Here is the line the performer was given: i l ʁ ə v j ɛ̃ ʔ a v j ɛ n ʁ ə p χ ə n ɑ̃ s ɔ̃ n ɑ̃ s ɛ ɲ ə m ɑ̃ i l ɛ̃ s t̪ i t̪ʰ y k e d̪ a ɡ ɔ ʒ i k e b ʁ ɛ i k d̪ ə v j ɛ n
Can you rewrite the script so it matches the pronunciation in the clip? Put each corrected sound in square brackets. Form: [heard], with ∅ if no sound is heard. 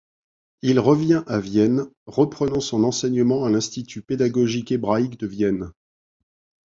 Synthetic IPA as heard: i l ʁ ə v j ɛ̃ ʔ a v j ɛ n ʁ ə p χ ə n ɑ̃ s ɔ̃ n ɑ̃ s ɛ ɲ ə m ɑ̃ [a] l ɛ̃ s t̪ i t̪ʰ y [p] e d̪ a ɡ ɔ ʒ i k e b ʁ [a] i k d̪ ə v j ɛ n